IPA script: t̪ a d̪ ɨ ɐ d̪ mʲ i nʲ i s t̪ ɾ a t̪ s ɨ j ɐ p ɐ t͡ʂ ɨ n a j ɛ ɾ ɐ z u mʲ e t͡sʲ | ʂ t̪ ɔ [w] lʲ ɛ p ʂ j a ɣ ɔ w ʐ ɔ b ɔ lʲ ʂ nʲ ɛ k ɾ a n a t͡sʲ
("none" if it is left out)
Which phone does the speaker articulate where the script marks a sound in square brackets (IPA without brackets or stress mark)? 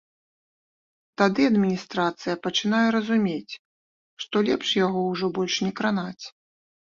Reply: none